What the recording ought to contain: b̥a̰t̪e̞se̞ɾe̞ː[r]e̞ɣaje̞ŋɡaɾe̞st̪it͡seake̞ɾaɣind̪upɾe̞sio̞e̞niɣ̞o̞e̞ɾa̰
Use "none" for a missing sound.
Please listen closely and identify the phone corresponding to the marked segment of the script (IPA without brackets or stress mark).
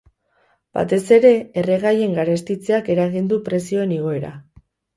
r